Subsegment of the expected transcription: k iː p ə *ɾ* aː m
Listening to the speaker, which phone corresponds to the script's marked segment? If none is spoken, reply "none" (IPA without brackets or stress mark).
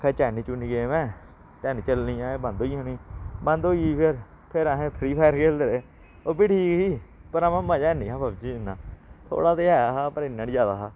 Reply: ɾ